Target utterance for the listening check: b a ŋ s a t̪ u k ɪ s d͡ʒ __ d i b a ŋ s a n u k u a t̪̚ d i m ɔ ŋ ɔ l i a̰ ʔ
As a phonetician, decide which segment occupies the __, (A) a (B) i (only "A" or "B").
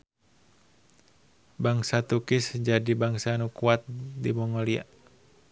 A